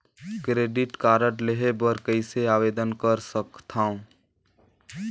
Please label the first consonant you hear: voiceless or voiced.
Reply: voiceless